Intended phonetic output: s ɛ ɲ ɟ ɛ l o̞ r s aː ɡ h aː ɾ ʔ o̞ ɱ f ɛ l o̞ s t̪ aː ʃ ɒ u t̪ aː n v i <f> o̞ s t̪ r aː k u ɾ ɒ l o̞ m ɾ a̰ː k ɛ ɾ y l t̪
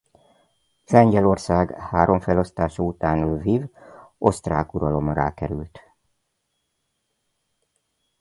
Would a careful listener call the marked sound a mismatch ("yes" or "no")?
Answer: yes